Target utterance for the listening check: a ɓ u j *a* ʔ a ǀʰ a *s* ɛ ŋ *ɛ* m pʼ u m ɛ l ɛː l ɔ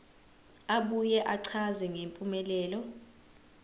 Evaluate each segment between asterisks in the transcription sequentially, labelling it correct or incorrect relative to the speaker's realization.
incorrect, incorrect, incorrect

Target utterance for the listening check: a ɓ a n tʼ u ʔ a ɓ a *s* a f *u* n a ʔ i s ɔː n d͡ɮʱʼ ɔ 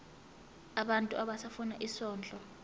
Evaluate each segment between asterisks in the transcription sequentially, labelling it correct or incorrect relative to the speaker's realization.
correct, correct

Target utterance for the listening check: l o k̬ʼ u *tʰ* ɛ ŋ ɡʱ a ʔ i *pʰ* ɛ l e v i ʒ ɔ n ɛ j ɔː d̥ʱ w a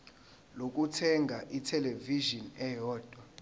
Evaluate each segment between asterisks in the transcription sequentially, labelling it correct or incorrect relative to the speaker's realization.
correct, incorrect

